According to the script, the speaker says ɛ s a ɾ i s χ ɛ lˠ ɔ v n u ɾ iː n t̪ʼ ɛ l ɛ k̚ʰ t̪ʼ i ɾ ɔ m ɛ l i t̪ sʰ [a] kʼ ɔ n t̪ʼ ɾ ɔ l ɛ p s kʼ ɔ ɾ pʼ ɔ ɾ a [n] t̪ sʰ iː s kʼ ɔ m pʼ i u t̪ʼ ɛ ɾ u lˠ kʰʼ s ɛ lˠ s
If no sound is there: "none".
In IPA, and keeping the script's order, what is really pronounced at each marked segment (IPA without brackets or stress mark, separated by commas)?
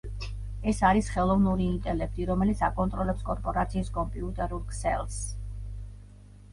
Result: a, none